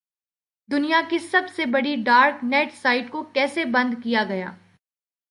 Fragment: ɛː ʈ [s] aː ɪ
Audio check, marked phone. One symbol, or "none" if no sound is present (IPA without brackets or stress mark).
s